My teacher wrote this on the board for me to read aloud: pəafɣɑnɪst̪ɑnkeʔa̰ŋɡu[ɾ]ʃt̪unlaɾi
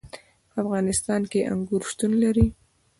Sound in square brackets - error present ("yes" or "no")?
no